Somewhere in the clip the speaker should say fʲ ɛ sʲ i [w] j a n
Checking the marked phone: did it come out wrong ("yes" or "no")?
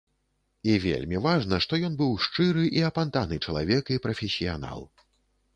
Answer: yes